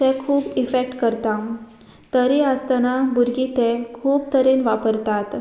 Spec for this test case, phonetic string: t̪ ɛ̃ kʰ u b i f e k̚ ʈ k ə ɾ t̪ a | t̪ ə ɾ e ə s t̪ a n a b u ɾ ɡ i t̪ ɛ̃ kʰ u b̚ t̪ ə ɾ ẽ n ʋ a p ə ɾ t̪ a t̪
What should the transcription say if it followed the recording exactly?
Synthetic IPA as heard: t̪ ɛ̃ kʰ uː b i f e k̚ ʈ k ə ɾ t̪ a | t̪ ə ɾ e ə s t̪ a n a b u ɾ ɡ i t̪ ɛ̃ kʰ uː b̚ t̪ ə ɾ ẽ n ʋ a p ə ɾ t̪ a t̪